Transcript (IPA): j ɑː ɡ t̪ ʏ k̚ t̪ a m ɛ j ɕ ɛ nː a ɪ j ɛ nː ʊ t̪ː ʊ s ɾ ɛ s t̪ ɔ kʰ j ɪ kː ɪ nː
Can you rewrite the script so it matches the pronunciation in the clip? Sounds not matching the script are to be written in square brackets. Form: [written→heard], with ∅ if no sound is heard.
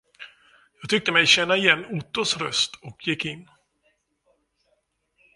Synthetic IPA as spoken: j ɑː ɡ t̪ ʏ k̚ t̪ [a→ə] m ɛ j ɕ ɛ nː a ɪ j ɛ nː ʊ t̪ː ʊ s ɾ [ɛ→œ] s t̪ ɔ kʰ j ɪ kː ɪ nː